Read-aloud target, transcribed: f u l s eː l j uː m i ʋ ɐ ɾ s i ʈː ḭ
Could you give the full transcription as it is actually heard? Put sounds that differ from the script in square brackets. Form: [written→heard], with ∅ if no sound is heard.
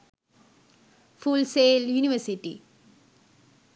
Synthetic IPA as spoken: f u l s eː l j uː [m→n] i ʋ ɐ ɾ s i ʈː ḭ